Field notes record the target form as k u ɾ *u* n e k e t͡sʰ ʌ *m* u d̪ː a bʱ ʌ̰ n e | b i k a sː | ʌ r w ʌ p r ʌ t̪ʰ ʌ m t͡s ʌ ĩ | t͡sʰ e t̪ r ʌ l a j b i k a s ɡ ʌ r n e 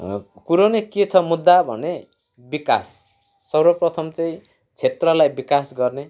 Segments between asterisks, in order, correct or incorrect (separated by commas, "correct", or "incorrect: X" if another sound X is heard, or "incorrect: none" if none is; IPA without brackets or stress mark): incorrect: o, correct